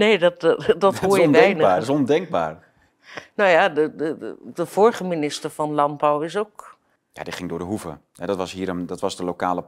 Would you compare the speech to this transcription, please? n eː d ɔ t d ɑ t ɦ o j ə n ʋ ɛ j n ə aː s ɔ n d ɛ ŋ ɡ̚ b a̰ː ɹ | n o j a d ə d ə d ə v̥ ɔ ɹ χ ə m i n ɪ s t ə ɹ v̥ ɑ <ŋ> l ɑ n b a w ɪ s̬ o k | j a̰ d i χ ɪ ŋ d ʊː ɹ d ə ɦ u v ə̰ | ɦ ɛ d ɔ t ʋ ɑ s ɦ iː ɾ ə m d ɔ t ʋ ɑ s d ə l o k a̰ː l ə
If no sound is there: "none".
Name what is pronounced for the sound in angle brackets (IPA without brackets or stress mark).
n